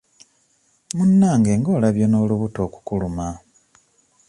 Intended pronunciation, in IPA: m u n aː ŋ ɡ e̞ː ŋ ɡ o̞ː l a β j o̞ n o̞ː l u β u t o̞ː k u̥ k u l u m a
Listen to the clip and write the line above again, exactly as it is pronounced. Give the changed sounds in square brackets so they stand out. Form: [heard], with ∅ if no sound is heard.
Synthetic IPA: m u [nː] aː ŋ ɡ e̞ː ŋ ɡ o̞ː l a β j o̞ n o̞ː l u β u t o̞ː k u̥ k u l u m a

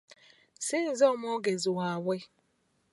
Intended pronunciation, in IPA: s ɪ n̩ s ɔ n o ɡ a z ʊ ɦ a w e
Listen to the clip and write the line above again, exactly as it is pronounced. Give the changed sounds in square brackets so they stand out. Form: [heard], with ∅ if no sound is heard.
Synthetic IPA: s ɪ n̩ [z] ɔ [m] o ɡ [e] z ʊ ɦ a w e

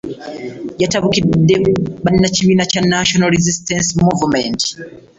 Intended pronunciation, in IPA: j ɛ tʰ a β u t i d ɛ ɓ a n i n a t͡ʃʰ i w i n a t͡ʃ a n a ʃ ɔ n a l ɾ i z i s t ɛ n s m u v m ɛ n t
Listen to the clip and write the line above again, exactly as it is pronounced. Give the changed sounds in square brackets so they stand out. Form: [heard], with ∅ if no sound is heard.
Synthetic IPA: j [a] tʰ a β u [k] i d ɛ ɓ a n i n a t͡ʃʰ i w i n a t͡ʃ a n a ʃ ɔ n a l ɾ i z i s t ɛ n s m u v m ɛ n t

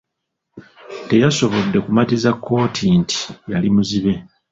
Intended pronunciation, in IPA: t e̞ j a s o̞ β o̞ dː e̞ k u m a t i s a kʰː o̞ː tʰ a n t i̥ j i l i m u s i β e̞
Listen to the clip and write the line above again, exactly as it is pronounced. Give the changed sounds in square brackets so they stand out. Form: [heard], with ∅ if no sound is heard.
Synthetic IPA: t e̞ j a s o̞ β o̞ dː e̞ k u m a t i [z] a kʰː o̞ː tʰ [i] n t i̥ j [a] l i m u [z] i β e̞

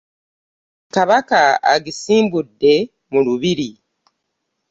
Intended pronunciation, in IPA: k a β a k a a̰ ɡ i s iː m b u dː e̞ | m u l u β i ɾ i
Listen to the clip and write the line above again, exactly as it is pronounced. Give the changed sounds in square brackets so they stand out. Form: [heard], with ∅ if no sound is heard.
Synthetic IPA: k a β a k a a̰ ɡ i s iː m b u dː e̞ | m u l u β i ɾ i

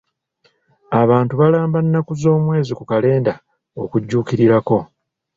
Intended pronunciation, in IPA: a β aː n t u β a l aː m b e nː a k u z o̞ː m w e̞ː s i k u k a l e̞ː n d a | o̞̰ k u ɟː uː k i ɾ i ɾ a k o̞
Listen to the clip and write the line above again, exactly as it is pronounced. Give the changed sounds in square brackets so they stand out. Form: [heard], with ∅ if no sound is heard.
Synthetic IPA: a β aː n t u β a l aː m b [a] nː a k u z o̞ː m w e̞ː [z] i k u k a l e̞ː n d a | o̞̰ k u ɟː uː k i ɾ i ɾ a k o̞

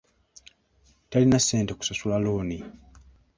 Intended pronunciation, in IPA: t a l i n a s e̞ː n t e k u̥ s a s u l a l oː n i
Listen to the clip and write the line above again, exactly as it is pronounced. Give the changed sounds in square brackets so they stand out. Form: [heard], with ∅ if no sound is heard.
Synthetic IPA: t a l i n a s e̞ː n t e k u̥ s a s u l a l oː n i

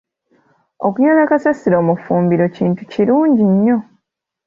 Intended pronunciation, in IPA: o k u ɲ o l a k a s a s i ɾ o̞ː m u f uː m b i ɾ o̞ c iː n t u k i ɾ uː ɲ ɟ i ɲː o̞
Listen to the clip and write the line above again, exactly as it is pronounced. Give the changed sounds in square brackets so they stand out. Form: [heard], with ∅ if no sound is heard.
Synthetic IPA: o k u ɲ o l a k a s a s i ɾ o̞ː m u f uː m b i ɾ o̞ c iː n t u [c] i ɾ uː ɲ ɟ i ɲː o̞

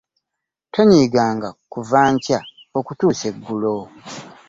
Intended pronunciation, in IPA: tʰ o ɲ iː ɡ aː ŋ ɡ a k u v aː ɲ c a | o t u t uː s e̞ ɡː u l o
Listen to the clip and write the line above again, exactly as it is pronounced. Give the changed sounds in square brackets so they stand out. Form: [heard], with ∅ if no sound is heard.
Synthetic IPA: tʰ o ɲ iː ɡ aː ŋ ɡ a k u v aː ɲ c a | o [k] u t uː s e̞ ɡː u l o

